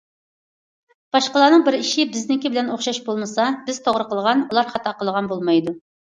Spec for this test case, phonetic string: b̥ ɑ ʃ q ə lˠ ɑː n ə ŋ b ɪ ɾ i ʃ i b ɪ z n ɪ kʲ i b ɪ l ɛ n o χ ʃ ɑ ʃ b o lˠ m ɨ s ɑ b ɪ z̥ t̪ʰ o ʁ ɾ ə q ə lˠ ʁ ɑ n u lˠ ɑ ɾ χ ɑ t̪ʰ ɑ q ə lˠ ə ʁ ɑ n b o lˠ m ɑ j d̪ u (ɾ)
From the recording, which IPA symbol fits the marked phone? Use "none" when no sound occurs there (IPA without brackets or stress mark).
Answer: none